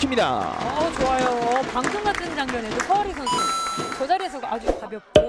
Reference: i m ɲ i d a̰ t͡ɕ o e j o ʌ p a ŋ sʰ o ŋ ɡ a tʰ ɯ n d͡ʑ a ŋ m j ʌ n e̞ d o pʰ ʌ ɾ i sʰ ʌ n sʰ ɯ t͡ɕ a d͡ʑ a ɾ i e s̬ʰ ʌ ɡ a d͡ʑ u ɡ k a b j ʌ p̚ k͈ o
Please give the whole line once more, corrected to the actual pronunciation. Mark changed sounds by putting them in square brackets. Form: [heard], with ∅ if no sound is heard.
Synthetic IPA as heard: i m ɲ i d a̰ t͡ɕ o [a] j o ʌ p a ŋ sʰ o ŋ ɡ a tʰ ɯ n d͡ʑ a ŋ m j ʌ n e̞ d o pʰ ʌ ɾ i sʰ ʌ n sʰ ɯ t͡ɕ [ʌ] d͡ʑ a ɾ i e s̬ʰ ʌ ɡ a d͡ʑ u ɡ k a b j ʌ p̚ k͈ o